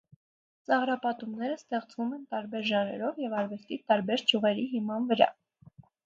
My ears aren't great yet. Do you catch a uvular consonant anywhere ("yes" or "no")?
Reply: yes